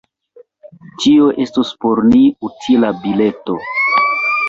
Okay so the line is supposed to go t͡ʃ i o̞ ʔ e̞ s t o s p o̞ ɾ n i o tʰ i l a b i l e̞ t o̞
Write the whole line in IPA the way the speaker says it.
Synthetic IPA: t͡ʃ i o̞ ʔ e̞ s t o s p o̞ ɾ n i u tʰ i l a b i l e̞ t o̞